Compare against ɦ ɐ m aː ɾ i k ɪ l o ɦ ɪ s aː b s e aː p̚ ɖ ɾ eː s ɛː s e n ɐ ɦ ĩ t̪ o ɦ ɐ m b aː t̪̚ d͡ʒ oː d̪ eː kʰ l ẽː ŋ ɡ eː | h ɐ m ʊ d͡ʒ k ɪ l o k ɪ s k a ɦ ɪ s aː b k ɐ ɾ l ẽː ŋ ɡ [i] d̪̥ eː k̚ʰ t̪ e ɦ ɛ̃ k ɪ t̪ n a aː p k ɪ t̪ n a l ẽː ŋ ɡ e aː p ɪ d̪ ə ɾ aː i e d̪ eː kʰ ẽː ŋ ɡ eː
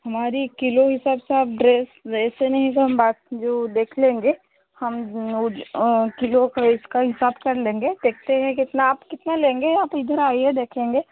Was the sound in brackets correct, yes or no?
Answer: no